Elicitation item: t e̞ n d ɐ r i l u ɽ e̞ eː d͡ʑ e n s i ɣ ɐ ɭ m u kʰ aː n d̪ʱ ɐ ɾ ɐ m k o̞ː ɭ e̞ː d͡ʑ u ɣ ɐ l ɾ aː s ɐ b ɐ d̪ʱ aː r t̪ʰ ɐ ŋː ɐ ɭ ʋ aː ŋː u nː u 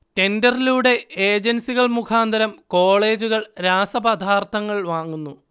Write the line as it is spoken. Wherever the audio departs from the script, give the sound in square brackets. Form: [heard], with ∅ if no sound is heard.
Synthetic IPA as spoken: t e̞ n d ɐ r i l u ɽ e̞ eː d͡ʑ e n s i ɣ ɐ ɭ m u kʰ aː n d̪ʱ ɐ ɾ ɐ m k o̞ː ɭ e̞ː d͡ʑ u ɣ ɐ [ɭ] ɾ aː s ɐ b ɐ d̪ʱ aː r t̪ʰ ɐ ŋː ɐ ɭ ʋ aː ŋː u nː u